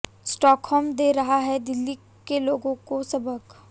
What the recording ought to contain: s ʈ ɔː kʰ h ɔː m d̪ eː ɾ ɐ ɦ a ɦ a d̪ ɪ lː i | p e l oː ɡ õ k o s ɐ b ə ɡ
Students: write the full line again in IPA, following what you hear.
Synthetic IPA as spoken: s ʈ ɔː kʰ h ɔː m d̪ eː ɾ ɐ ɦ a ɦ ɛ d̪ ɪ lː i | k e l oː ɡ õ k o s ɐ b ə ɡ